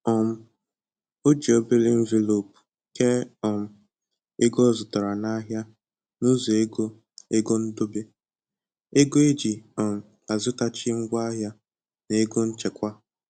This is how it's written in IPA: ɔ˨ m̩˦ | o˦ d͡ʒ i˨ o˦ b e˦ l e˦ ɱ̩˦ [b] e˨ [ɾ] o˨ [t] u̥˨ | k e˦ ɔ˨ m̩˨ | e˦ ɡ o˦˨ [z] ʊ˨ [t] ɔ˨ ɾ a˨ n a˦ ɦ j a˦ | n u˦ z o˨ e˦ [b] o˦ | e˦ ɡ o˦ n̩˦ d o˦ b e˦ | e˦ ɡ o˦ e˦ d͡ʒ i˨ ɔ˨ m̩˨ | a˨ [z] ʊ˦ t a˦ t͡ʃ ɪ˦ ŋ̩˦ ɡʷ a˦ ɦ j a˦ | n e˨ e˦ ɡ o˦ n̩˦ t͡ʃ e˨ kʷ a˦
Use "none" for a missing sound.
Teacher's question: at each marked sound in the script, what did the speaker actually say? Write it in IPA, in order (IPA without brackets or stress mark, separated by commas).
v, l, p, z, t, ɡ, z